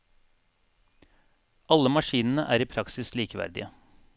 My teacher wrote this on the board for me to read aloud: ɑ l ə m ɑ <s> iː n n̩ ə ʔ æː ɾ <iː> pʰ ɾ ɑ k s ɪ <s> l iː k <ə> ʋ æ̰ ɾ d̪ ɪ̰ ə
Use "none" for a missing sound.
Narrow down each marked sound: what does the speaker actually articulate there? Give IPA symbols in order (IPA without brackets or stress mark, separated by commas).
ʃ, iː, s, ə